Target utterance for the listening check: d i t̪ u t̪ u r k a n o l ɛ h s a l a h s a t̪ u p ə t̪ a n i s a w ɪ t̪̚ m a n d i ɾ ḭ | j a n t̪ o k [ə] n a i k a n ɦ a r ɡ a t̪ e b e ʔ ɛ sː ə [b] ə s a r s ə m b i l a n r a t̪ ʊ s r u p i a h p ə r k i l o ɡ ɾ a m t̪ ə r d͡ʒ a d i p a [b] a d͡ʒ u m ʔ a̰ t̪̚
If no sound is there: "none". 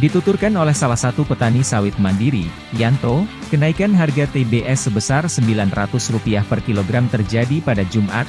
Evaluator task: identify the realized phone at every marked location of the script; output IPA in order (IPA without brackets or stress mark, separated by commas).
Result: ə, b, d